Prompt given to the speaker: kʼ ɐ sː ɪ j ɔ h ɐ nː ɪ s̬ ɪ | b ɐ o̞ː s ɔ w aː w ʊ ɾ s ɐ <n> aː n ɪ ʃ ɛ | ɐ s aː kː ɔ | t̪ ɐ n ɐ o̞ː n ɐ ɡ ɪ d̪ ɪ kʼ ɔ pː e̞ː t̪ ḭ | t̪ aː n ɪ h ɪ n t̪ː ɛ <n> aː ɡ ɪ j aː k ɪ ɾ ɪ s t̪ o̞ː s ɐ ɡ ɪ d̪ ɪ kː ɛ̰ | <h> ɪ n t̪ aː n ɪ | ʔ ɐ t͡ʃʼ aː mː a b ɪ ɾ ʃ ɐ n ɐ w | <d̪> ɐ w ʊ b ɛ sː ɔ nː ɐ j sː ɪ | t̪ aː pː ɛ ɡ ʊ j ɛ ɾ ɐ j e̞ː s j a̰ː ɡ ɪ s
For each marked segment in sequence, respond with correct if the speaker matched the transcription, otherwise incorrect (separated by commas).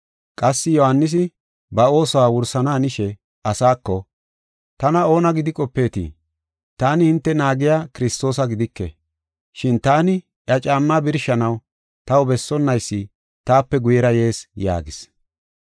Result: correct, correct, incorrect, incorrect